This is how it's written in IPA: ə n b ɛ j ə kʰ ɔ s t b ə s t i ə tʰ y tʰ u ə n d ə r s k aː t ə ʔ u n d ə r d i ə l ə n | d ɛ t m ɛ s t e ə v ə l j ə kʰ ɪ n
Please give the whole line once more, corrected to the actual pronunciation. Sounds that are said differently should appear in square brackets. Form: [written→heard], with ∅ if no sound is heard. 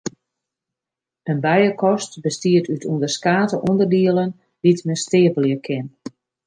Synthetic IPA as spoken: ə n b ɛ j ə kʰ ɔ s t b ə s t i ə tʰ y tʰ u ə n d ə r s k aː t ə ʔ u n d ə r d i ə l ə n | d [ɛ→i] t m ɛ s t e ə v ə l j ə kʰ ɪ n